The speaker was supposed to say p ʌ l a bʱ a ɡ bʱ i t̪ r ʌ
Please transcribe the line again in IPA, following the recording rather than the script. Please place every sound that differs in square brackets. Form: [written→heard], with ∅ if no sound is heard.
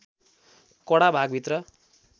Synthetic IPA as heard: [p→k] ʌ [l→ɽ] a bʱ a ɡ bʱ i t̪ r ʌ

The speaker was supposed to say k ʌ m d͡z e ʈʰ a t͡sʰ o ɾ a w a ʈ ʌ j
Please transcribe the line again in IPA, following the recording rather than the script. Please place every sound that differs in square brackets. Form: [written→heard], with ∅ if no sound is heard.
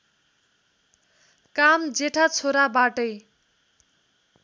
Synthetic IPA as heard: k [ʌ→a] m d͡z e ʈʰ a t͡sʰ o ɾ a [w→b] a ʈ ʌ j

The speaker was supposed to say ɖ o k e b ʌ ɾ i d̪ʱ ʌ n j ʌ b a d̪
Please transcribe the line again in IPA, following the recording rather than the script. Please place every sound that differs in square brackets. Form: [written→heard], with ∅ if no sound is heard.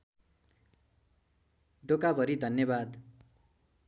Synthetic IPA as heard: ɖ o k [e→a] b ʌ ɾ i d̪ʱ ʌ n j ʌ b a d̪

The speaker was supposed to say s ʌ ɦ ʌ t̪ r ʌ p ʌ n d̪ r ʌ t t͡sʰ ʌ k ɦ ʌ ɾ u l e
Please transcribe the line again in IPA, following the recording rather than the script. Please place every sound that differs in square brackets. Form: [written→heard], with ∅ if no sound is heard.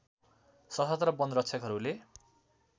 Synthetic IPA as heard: s ʌ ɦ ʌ t̪ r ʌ [p→b] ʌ n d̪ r ʌ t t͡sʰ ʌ k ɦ ʌ ɾ u l e

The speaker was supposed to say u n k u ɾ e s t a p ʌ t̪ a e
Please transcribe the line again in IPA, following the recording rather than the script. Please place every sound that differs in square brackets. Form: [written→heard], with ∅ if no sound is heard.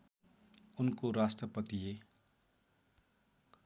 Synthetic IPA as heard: u n k [u→o] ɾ [e→a] s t [a→ʌ] p ʌ t̪ [a→i] e

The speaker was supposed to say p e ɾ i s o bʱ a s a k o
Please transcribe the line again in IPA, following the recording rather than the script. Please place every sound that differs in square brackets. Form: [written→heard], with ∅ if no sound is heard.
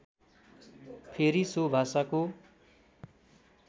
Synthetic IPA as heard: [p→pʰ] e ɾ i s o bʱ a s a k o

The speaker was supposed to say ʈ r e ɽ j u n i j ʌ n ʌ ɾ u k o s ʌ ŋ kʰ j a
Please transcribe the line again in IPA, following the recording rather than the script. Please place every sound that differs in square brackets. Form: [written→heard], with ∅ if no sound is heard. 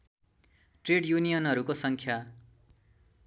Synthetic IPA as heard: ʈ r e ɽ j u n i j ʌ n ʌ ɾ u k o s ʌ ŋ kʰ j a

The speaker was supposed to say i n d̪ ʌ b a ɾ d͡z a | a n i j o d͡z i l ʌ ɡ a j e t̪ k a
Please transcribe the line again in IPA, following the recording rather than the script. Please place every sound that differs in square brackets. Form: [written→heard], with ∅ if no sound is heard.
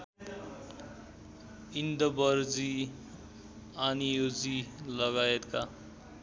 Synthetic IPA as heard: i n d̪ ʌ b [a→ʌ] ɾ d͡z [a→i] | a n i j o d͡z i l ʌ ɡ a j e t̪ k a

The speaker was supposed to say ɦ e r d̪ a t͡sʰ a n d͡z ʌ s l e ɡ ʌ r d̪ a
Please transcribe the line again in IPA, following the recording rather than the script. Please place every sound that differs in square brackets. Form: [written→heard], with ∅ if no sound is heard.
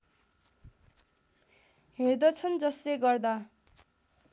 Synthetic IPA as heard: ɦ e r d̪ [a→ʌ] t͡sʰ [a→ʌ] n d͡z ʌ s l e ɡ ʌ r d̪ a

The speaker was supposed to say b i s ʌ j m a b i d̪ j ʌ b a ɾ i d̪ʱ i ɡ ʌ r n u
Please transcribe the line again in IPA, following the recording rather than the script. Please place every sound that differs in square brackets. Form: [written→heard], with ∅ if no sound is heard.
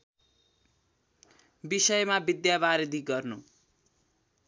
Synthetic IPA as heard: b i s ʌ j m a b i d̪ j [ʌ→a] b a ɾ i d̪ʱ i ɡ ʌ r n u

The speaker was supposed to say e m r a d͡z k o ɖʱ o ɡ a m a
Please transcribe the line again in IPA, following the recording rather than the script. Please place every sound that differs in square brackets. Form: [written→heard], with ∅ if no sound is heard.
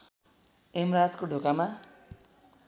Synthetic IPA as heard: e m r a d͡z k o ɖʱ o [ɡ→k] a m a

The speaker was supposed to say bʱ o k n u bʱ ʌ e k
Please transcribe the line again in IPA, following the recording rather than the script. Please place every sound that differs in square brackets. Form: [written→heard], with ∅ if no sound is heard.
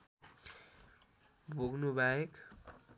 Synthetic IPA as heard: bʱ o [k→ɡ] n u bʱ [ʌ→a] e k

